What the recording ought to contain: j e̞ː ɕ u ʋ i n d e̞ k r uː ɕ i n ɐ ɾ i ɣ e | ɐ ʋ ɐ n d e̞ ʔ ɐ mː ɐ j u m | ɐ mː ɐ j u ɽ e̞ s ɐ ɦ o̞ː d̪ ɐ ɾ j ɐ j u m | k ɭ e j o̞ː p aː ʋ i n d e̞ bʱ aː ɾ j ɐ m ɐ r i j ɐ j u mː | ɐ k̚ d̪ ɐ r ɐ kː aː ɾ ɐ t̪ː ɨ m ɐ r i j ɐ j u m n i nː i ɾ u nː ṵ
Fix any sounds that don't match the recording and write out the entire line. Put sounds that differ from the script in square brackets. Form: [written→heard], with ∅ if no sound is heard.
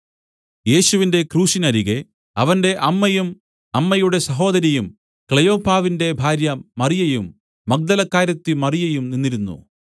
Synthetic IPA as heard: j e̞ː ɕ u ʋ i n d e̞ k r uː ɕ i n ɐ ɾ i ɣ e | ɐ ʋ ɐ n d e̞ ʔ ɐ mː ɐ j u m | ɐ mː ɐ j u ɽ e̞ s ɐ ɦ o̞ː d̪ ɐ ɾ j ɐ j u m | k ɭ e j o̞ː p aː ʋ i n d e̞ bʱ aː ɾ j ɐ m ɐ r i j ɐ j u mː | ɐ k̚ d̪ ɐ [r→l] ɐ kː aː ɾ ɐ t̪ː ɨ m ɐ r i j ɐ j u m n i nː i ɾ u nː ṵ